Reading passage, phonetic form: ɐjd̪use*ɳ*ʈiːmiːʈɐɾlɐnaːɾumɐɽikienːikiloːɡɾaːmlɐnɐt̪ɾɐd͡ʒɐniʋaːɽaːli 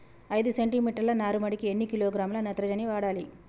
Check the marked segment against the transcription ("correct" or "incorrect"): correct